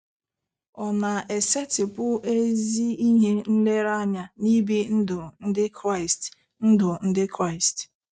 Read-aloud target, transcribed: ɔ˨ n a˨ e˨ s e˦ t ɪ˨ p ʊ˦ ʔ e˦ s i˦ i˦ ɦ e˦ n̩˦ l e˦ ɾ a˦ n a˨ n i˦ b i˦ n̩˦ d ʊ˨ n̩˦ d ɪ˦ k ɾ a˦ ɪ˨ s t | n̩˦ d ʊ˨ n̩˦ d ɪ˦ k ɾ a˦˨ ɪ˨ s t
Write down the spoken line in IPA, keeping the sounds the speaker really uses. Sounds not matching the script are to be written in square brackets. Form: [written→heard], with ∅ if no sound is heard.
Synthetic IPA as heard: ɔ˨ n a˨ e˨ s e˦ t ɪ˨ p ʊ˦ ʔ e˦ [s→z] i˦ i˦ ɦ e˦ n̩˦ l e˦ ɾ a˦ [n→ɲ] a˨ n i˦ b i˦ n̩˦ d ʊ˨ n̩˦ d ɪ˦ k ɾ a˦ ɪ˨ s t | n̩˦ d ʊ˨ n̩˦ d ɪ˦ k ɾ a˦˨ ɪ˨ s t